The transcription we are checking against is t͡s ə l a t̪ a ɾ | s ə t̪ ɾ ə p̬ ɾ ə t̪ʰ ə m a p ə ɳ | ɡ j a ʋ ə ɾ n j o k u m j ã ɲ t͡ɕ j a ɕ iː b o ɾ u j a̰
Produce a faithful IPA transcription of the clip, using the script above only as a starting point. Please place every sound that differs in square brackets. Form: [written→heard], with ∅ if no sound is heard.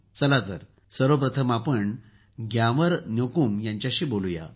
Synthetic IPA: t͡s ə l a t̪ [a→ə] ɾ | s ə [t̪→∅] ɾ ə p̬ ɾ ə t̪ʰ ə m a p ə ɳ | ɡ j a ʋ ə ɾ n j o k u m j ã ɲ t͡ɕ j a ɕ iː b o [ɾ→l] u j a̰